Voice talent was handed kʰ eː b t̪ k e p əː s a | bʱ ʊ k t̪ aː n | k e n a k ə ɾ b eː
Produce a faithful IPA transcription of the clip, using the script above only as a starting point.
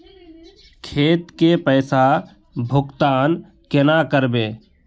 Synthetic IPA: kʰ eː t̪ k e p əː s a | bʱ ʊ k t̪ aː n | k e n a k ə ɾ b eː